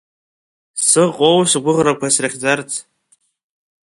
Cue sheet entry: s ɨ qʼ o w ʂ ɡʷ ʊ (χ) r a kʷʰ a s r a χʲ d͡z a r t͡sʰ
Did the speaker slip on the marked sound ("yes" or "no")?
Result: yes